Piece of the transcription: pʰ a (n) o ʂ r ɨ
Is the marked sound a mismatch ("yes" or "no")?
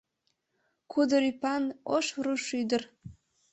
no